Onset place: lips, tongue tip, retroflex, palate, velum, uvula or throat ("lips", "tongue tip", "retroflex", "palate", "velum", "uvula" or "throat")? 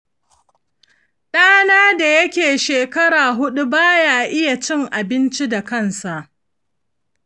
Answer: tongue tip